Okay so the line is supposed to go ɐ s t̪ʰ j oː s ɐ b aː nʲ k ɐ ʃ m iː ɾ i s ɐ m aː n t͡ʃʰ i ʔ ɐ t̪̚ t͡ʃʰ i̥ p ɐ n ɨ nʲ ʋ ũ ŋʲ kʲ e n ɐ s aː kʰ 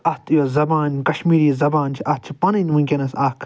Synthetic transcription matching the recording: ɐ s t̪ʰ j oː z ɐ b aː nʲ k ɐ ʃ m iː ɾ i z ɐ b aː n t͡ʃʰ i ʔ ɐ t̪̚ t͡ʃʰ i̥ p ɐ n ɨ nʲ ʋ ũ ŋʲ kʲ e n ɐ s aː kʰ